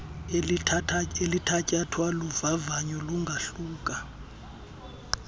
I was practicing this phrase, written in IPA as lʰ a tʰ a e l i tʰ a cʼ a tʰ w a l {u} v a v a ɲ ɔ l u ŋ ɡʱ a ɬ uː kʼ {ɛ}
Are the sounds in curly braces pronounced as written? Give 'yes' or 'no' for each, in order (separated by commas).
yes, no